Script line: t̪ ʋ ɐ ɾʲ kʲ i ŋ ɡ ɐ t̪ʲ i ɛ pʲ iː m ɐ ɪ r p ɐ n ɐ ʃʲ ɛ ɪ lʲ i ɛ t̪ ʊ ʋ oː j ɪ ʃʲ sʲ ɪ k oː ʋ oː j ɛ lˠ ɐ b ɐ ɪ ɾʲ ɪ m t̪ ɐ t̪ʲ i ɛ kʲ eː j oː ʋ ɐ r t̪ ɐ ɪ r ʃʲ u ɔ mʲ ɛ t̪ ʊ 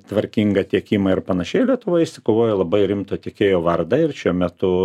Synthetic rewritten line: t̪ ʋ ɐ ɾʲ kʲ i ŋ ɡ ɐ t̪ʲ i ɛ kʲ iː m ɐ ɪ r p ɐ n ɐ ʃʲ ɛ ɪ lʲ i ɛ t̪ ʊ ʋ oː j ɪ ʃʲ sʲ ɪ k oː ʋ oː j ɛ lˠ ɐ b ɐ ɪ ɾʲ ɪ m t̪ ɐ t̪ʲ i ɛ kʲ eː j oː ʋ ɐ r d̪ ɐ ɪ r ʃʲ u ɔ mʲ ɛ t̪ ʊ